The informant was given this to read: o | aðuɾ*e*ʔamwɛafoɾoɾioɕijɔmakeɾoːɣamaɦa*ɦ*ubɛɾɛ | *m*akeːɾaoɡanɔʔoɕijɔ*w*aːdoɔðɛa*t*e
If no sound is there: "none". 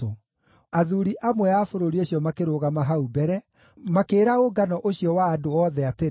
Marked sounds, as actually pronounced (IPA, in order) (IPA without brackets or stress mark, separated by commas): i, none, m, w, t